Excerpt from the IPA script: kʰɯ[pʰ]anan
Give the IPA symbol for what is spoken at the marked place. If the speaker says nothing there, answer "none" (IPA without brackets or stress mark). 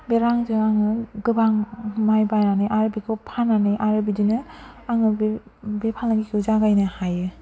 pʰ